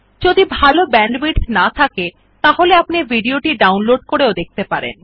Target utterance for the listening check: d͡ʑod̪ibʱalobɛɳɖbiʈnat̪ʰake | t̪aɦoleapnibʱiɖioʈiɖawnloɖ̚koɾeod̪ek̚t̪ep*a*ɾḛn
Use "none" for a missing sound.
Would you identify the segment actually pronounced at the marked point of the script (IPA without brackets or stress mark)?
a